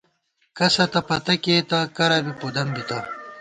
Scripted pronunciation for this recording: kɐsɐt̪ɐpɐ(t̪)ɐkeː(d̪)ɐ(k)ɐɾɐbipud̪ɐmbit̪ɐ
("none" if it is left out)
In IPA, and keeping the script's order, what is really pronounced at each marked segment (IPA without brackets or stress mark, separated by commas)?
t̪, t̪, k